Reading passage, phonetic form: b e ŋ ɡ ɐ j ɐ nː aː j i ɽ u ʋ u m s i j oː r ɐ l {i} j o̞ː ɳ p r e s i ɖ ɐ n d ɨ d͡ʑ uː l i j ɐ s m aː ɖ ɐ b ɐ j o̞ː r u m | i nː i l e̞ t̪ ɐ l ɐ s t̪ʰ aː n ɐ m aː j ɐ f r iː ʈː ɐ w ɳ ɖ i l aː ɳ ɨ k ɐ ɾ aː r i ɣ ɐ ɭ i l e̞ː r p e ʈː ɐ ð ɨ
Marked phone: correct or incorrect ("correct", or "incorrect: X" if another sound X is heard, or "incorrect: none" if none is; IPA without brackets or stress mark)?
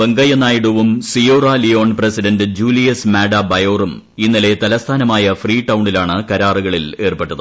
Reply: correct